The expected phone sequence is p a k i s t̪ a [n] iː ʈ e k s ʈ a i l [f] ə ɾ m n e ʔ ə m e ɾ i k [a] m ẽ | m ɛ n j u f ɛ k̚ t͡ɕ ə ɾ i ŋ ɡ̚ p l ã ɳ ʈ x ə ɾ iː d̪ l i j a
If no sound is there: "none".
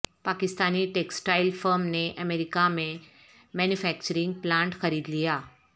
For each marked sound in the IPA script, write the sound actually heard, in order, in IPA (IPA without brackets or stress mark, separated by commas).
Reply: n, f, a